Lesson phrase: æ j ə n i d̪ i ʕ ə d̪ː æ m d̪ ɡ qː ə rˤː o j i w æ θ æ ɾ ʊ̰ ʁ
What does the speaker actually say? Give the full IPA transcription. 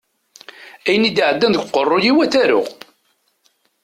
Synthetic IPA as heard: æ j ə n i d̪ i ʕ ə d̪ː æ n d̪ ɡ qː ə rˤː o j i w æ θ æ ɾ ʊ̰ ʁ